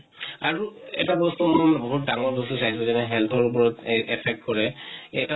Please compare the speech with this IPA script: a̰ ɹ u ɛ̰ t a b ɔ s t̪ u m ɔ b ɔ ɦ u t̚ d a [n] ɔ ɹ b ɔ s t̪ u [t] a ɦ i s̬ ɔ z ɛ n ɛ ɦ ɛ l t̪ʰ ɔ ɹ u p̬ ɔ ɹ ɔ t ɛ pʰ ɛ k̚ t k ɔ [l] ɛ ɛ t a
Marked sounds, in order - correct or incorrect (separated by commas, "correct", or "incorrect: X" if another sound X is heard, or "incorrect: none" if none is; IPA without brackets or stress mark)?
incorrect: ŋ, incorrect: s, incorrect: ɹ